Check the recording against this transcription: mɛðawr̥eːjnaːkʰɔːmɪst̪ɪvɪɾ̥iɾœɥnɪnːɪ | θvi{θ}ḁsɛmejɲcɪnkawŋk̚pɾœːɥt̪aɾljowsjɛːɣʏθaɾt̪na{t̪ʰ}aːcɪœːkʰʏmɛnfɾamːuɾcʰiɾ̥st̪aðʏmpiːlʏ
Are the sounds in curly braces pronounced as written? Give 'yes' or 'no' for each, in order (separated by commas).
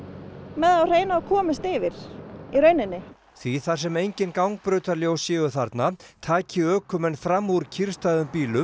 yes, yes